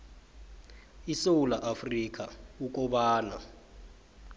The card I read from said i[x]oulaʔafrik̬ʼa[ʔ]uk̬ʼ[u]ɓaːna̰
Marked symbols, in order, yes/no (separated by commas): no, no, no